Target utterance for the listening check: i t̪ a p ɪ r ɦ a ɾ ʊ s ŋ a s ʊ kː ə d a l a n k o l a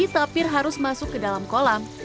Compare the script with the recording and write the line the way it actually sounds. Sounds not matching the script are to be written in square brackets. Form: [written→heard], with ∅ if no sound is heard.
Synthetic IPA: i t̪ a p ɪ r ɦ a ɾ ʊ s [ŋ→m] a s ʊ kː ə d a l a [n→m] k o l a